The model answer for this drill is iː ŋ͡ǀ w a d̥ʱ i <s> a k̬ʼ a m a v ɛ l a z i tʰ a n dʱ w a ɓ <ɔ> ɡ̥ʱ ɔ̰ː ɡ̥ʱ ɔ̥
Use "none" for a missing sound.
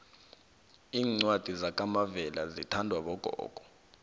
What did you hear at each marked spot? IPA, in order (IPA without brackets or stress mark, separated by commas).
z, ɔ